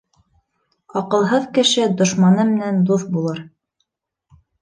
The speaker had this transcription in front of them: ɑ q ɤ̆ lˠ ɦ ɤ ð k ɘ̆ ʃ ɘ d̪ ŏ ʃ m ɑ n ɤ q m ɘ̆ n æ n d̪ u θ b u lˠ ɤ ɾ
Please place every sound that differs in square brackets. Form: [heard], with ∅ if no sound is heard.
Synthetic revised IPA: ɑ q ɤ̆ lˠ ɦ ɤ ð k ɘ̆ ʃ ɘ d̪ ŏ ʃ m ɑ n ɤ [∅] m ɘ̆ n æ n d̪ u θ b u lˠ ɤ ɾ